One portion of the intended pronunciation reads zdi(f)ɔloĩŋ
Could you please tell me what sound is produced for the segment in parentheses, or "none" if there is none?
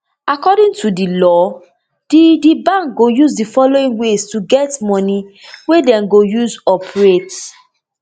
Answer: f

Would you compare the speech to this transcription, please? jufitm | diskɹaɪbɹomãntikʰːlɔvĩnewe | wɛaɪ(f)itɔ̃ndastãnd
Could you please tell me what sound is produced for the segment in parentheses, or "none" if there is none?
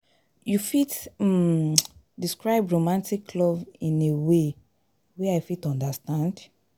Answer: f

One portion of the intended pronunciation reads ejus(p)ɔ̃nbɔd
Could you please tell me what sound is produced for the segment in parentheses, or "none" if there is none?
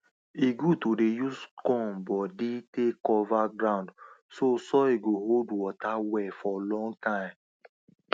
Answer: k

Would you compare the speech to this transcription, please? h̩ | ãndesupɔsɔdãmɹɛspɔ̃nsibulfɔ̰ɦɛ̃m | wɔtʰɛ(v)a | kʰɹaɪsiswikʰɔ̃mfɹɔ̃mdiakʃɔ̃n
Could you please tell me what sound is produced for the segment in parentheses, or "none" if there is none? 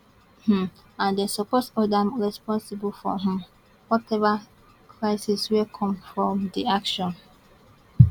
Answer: v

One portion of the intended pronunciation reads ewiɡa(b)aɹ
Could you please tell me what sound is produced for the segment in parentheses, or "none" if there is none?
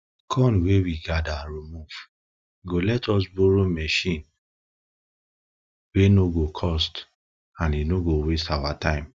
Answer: d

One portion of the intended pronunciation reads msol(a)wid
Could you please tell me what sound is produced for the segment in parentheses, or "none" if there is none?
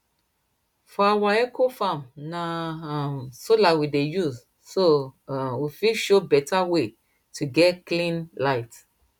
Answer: a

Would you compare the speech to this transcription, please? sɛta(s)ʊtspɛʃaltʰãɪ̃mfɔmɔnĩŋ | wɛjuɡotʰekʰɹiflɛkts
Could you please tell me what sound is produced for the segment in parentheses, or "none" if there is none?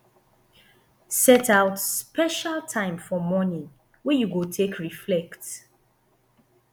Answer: none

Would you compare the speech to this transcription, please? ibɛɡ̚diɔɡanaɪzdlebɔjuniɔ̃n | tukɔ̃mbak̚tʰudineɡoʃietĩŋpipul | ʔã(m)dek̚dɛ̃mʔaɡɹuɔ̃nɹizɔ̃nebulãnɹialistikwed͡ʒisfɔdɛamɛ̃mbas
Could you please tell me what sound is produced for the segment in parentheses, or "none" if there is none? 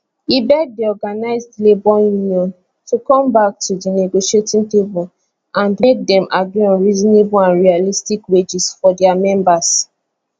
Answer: n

